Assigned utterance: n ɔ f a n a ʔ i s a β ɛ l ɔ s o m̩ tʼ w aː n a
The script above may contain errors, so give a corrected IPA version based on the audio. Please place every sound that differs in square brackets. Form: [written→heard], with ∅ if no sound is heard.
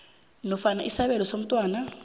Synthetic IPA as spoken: n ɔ f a n a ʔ i s a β ɛ l ɔ s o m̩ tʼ w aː n a

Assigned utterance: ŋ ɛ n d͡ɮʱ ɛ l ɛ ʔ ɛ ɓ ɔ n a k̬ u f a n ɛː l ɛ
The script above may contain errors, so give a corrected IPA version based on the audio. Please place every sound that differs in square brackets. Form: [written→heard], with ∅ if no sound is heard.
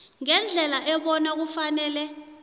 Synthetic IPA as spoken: ŋ ɛ n d͡ɮʱ ɛ l [ɛ→a] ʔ ɛ ɓ ɔ n a k̬ u f a n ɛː l ɛ

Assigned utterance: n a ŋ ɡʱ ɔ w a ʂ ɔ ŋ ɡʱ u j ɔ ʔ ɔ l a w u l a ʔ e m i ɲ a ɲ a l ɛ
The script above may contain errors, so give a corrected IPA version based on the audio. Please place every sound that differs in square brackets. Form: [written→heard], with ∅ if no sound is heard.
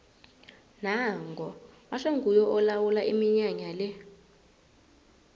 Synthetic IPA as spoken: n a ŋ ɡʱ ɔ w a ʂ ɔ ŋ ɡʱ u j ɔ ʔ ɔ l a w u l a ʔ [e→i] m i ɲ a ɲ a l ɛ

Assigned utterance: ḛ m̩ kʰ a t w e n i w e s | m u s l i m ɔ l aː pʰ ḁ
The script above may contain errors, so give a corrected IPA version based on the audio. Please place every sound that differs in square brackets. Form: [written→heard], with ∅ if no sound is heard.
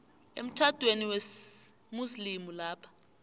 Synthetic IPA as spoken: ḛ m̩ [kʰ→tʰ] a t w e n i w e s | m u s l i m [ɔ→u] l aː pʰ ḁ

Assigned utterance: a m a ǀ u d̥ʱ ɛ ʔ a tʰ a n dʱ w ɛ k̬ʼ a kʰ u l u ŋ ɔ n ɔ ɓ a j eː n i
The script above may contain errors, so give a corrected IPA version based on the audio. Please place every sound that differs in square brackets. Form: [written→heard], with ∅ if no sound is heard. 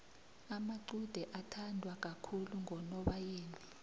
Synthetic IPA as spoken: a m a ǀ u d̥ʱ ɛ ʔ a tʰ a n dʱ w [ɛ→a] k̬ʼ a kʰ u l u ŋ ɔ n ɔ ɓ a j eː n i

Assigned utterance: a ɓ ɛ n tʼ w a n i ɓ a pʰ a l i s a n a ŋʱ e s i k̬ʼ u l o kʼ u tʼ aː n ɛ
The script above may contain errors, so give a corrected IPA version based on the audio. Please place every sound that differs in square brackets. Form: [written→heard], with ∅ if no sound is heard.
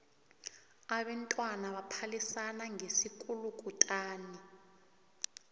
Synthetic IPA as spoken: a ɓ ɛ n tʼ w a n [i→a] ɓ a pʰ a l i s a n a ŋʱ e s i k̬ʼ u l [o→u] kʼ u tʼ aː n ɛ

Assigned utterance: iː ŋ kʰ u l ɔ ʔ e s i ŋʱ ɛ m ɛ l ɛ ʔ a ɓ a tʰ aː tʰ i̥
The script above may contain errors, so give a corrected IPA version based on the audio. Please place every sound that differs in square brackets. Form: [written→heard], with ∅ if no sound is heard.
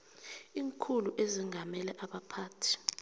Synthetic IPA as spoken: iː ŋ kʰ u l [ɔ→u] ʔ e [s→z] i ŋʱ [ɛ→a] m ɛ l ɛ ʔ a ɓ a [tʰ→pʰ] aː tʰ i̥

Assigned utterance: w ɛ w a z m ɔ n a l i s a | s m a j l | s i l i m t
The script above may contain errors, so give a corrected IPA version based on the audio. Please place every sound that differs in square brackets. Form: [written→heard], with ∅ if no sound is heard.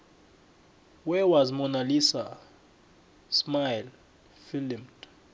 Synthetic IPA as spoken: w ɛ w a z m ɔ n a l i s a | s m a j l | [s→f] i l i m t

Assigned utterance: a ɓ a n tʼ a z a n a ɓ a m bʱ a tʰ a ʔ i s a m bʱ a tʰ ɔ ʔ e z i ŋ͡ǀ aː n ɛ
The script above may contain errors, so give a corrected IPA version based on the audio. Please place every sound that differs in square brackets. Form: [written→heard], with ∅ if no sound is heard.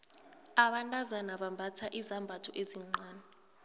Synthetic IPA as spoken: a ɓ a n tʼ a z a n a ɓ a m bʱ a tʰ a ʔ i [s→z] a m bʱ a tʰ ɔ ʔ e z i ŋ͡ǀ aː n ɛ

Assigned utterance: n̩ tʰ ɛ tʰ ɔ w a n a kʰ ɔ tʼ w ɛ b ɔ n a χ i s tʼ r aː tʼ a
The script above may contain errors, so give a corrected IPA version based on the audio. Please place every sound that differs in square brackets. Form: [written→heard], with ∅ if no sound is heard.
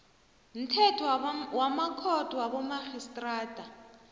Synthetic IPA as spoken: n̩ tʰ ɛ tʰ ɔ w a [n→m] a kʰ ɔ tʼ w [ɛ→a] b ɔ [n→m] a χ i s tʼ r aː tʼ a

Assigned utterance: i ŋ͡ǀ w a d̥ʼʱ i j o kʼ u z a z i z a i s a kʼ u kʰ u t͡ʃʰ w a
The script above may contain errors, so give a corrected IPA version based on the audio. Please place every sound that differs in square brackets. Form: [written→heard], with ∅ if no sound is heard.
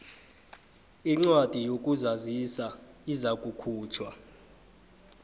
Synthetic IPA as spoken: i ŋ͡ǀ w a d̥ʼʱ i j o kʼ u z a z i [z→s] a i [s→z] a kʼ u kʰ [u→uː] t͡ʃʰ w a

